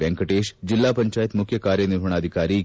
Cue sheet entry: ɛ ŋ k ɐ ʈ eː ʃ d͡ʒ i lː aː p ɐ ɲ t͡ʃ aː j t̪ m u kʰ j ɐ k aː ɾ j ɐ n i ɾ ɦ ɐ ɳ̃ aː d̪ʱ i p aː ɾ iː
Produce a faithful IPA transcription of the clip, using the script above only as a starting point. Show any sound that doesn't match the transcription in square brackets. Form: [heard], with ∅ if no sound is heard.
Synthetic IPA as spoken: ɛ ŋ k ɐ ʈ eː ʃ d͡ʒ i lː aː p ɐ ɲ t͡ʃ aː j t̪ m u kʰ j ɐ k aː ɾ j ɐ n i ɾ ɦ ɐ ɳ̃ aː d̪ʱ i [k] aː ɾ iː